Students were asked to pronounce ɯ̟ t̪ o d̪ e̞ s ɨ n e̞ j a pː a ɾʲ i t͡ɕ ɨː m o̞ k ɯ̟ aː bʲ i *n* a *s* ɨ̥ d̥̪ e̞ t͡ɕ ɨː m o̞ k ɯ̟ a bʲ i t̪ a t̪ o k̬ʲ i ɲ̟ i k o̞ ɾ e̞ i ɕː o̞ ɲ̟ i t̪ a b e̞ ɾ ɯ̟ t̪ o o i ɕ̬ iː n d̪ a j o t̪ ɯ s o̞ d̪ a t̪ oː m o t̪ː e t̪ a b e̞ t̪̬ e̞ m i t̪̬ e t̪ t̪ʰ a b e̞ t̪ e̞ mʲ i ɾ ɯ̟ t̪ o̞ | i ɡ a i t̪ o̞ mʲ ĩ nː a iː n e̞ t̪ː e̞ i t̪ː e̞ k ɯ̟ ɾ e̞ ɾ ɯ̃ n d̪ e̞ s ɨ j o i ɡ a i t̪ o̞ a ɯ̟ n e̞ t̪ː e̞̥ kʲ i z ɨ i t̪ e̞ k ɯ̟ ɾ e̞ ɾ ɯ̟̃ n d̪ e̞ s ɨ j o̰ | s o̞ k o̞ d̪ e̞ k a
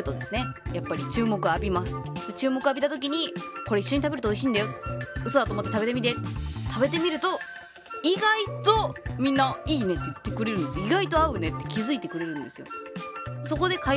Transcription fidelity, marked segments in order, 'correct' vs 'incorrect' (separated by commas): incorrect, correct